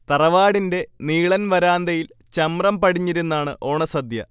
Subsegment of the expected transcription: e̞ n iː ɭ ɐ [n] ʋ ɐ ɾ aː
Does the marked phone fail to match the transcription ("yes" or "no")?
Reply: no